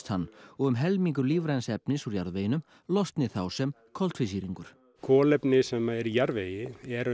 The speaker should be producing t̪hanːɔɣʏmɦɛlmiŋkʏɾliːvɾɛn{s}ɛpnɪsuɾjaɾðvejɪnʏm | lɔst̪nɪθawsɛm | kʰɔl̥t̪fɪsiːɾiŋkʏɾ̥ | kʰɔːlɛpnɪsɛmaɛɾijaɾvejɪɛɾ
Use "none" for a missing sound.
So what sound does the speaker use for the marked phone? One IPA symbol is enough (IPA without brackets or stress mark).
s